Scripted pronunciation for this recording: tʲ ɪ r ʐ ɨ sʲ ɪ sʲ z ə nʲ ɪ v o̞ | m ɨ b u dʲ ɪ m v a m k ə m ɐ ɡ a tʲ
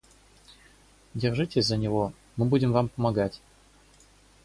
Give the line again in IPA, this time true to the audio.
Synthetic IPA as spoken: dʲ ɪ r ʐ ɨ tʲ ɪ sʲ z ə nʲ ɪ v o̞ | m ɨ b u dʲ ɪ m v a m p ə m ɐ ɡ a tʲ